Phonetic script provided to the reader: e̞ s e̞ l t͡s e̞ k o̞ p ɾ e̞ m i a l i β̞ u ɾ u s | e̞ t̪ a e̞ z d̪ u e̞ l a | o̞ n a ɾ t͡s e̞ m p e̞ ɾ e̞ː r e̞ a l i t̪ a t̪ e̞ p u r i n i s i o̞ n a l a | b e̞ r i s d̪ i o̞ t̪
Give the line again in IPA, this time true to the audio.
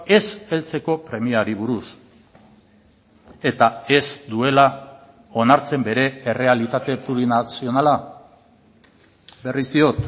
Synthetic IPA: e̞ s e̞ l t͡s e̞ k o̞ p ɾ e̞ m i a ɾ i β̞ u ɾ u s | e̞ t̪ a e̞ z d̪ u e̞ l a | o̞ n a ɾ t͡s e̞ m b e̞ ɾ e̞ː r e̞ a l i t̪ a t̪ e̞ p u ɾ i n a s i o̞ n a l a | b e̞ r i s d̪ i o̞ t̪